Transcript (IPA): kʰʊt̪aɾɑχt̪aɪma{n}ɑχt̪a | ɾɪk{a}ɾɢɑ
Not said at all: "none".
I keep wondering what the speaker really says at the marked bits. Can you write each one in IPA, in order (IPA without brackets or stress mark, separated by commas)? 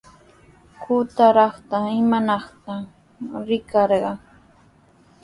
n, ɑ